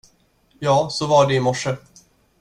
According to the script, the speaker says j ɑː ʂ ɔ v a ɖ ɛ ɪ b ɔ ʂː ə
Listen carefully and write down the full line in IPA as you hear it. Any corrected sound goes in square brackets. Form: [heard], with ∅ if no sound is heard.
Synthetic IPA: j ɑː [s] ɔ v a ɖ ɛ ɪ [m] ɔ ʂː ə